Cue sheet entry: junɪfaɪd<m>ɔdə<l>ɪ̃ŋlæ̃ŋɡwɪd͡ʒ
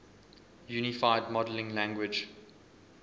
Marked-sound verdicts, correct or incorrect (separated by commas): correct, correct